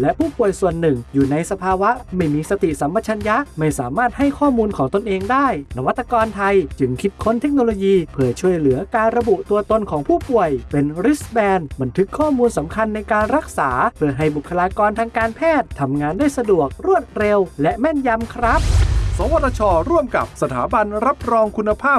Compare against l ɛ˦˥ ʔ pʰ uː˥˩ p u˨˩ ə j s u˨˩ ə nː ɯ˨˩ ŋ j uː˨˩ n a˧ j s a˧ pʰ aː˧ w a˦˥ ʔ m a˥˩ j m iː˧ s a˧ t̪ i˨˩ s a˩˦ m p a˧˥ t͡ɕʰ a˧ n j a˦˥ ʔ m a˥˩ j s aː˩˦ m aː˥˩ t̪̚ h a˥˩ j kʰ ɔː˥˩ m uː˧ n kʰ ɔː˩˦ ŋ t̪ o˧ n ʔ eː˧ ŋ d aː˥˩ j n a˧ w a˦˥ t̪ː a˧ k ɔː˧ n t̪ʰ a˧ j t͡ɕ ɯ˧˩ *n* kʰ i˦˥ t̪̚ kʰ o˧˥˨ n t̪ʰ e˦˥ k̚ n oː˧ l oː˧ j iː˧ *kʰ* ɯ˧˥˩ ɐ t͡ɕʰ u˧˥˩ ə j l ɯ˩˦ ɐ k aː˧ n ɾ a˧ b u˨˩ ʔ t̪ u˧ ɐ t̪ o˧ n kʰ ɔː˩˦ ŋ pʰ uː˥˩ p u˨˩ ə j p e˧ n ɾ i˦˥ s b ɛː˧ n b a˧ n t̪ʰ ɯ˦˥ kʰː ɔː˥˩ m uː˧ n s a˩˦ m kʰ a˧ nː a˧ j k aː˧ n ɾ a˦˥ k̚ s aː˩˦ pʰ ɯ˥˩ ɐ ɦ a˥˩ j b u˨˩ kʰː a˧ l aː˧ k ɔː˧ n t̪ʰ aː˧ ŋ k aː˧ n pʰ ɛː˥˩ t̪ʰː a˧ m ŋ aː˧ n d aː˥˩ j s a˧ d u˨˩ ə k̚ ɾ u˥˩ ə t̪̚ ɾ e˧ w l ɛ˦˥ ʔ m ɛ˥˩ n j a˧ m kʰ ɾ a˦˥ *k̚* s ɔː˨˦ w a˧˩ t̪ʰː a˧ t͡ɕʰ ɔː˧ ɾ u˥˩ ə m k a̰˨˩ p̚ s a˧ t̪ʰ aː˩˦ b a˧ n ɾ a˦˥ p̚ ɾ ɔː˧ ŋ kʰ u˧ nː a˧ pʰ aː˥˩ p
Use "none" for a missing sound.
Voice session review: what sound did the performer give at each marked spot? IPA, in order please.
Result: ŋ, pʰ, p̚

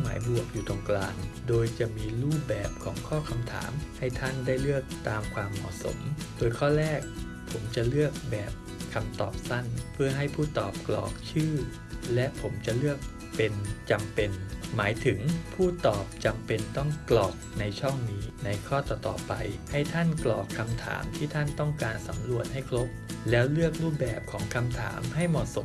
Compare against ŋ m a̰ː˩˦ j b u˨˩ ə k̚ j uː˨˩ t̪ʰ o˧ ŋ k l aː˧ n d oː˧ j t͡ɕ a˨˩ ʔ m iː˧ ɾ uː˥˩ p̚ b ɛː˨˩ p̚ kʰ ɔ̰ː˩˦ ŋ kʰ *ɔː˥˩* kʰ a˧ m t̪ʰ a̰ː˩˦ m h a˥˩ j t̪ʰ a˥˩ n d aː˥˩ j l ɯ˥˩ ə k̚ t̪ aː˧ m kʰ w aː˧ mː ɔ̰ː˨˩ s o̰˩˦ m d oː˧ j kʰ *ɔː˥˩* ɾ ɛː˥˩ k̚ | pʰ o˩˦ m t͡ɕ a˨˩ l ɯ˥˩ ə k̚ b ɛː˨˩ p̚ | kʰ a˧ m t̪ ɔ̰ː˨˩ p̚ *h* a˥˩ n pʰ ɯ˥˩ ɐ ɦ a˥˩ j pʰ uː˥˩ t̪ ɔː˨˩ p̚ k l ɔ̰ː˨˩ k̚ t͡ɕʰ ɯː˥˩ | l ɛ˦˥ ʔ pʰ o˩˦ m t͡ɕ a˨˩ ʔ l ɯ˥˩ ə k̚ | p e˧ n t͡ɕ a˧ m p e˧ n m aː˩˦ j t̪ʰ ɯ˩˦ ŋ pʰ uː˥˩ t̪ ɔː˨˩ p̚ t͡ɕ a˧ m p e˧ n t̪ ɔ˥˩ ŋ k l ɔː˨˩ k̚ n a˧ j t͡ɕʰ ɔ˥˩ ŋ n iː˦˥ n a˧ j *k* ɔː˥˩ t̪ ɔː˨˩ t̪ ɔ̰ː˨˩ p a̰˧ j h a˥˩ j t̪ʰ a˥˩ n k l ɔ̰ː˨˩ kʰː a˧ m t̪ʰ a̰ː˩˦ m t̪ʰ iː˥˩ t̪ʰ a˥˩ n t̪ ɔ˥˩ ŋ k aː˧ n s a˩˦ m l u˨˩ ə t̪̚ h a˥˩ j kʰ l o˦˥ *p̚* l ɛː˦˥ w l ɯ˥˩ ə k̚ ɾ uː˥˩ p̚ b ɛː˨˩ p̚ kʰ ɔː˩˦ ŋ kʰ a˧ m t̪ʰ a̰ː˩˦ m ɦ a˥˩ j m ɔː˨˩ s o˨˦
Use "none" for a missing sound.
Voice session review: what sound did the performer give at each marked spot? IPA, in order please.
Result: ɔː˥˩, ɔː˥˩, s, kʰ, p̚

